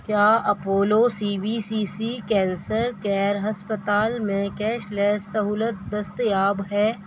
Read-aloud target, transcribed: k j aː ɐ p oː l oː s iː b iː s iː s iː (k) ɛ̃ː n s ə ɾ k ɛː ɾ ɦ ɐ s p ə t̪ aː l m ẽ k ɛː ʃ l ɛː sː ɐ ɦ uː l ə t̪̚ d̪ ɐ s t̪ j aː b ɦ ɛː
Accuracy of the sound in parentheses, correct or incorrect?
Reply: correct